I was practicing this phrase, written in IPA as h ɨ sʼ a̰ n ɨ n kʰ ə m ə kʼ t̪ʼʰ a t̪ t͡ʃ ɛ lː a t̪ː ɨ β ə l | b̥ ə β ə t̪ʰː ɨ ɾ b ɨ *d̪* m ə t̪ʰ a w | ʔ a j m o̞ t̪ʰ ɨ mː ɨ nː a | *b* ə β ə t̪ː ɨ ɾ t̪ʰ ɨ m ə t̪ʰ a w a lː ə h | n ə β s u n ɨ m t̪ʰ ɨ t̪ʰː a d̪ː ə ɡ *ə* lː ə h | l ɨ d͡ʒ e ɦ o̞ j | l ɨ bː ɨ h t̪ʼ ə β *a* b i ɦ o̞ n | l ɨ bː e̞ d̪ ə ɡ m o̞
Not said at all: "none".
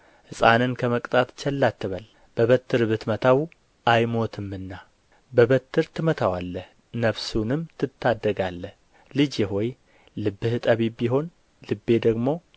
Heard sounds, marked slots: t̪, b, a, i

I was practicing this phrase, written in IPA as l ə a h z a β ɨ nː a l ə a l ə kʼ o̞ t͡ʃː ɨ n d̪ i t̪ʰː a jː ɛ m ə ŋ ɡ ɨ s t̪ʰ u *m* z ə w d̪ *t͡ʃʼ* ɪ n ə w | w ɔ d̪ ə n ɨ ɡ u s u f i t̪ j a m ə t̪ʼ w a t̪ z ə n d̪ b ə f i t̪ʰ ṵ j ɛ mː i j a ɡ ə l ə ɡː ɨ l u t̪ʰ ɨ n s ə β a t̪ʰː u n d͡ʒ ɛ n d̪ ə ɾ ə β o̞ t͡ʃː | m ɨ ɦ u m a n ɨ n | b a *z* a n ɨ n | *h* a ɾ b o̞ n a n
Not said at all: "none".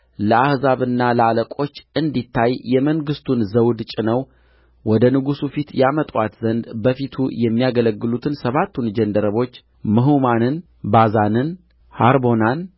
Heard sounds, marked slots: n, t͡ʃʼ, z, h

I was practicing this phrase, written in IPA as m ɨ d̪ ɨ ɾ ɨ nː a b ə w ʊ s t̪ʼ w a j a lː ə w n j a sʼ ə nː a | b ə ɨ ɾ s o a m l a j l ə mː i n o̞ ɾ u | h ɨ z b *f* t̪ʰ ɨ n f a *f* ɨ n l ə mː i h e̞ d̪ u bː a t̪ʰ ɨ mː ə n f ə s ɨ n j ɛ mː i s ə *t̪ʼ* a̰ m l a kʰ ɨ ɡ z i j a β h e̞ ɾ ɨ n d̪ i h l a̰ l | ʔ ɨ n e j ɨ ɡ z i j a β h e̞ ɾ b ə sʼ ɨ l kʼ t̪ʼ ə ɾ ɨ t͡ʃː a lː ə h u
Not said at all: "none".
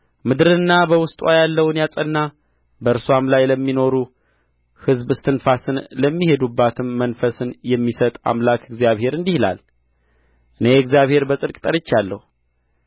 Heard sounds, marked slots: s, s, t̪ʼ

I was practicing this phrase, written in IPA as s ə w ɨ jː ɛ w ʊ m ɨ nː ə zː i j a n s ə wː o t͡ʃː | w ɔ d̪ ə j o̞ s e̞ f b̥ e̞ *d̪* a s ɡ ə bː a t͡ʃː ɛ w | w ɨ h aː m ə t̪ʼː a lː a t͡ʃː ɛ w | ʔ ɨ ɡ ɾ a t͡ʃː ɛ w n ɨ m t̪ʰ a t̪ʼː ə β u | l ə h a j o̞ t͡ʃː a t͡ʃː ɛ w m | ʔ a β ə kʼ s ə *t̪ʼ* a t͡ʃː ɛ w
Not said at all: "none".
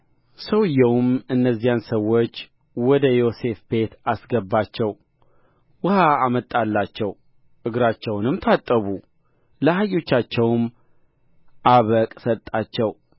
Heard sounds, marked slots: t̪, t̪ʼ

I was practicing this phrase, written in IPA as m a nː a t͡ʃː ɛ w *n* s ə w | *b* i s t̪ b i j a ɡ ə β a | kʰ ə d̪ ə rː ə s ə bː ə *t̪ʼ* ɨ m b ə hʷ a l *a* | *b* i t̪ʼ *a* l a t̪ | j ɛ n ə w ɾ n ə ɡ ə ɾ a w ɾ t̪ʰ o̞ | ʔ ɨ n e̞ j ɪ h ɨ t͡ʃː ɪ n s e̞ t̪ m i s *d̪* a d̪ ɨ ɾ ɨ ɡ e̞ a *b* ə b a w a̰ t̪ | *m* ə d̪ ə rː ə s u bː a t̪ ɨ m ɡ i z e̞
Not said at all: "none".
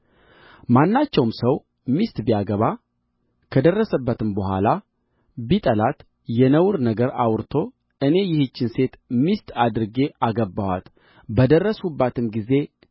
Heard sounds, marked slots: m, m, t̪, a, b, ə, t̪, ɡ, b

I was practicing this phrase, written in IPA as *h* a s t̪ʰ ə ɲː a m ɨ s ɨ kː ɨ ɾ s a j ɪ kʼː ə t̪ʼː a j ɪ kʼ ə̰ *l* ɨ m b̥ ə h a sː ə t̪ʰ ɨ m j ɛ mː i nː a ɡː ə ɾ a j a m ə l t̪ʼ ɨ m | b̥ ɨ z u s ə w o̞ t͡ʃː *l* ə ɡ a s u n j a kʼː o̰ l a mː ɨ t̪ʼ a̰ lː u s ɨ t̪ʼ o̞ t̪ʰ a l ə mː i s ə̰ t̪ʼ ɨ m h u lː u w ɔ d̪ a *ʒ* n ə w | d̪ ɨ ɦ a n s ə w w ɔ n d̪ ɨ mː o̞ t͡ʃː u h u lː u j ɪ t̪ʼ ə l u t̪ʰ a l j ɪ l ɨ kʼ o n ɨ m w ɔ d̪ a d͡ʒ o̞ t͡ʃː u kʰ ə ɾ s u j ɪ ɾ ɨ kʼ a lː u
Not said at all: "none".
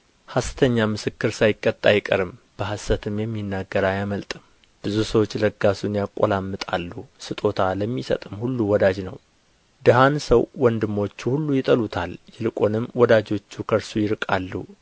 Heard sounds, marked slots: h, ɾ, l, d͡ʒ

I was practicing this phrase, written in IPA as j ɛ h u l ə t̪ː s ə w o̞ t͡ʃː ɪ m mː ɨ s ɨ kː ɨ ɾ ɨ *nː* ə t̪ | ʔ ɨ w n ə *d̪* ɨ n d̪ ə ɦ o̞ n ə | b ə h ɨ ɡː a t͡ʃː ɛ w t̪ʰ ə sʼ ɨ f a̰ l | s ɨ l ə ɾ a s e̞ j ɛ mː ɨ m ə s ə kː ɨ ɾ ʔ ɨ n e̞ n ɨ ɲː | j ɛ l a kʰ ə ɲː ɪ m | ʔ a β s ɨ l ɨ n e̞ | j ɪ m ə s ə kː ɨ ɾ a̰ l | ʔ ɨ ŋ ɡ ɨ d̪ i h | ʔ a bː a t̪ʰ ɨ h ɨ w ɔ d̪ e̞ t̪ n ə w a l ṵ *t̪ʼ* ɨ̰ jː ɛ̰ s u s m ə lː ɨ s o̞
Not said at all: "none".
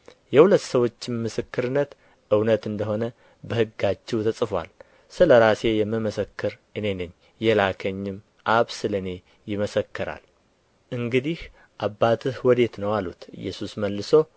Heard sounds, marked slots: nː, t̪, t̪

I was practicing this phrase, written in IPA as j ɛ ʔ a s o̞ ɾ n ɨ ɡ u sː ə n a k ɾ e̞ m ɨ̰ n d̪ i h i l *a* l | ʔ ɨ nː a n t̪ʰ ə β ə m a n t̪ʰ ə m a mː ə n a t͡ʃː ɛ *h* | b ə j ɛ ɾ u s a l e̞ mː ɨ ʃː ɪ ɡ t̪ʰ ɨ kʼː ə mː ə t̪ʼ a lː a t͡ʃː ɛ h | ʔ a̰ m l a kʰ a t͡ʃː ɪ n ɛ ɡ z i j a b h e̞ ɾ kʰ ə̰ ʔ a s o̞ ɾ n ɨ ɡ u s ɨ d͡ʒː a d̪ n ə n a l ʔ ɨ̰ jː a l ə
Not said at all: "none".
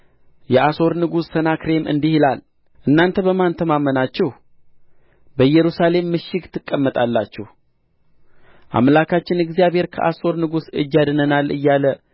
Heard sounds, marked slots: a, h

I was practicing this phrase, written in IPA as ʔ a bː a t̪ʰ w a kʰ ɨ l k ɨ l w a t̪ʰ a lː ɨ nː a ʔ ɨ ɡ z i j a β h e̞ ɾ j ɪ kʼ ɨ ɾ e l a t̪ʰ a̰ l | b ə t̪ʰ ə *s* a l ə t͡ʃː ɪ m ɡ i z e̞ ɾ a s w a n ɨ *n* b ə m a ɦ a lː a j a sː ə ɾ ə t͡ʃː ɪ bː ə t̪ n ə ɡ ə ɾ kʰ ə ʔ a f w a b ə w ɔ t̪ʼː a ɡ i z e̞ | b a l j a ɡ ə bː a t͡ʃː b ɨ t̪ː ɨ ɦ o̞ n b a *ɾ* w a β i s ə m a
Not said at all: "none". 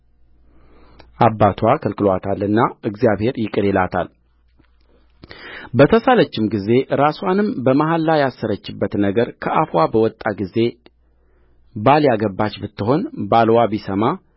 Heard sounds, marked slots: s, m, l

